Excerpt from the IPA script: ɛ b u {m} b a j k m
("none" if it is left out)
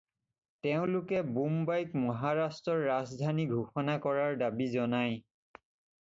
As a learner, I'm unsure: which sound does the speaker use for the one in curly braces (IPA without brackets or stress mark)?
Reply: m